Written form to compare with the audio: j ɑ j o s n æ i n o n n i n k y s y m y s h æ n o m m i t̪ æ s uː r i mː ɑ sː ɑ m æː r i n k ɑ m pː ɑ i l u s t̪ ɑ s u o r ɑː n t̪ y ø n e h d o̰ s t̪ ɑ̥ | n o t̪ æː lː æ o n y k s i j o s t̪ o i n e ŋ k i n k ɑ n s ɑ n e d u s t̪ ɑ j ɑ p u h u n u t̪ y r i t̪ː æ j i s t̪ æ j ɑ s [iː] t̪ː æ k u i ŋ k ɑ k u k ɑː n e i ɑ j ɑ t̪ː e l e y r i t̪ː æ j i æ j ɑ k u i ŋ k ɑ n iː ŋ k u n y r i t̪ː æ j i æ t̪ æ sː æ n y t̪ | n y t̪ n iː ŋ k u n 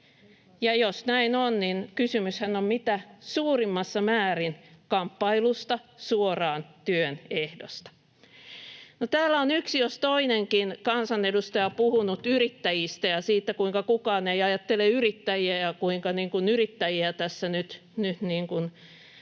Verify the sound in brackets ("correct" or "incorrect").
correct